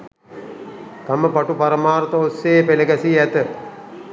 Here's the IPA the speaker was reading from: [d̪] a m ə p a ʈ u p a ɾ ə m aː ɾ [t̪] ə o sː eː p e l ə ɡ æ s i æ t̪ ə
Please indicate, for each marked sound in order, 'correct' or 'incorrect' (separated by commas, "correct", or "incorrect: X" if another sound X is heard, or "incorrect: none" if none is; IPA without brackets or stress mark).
incorrect: t̪, correct